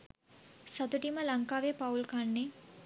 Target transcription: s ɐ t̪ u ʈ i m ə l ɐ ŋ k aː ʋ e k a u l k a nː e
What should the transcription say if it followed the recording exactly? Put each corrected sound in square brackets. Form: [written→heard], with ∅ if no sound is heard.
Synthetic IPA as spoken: s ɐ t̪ u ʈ i m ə l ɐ ŋ k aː ʋ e [k→p] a u l k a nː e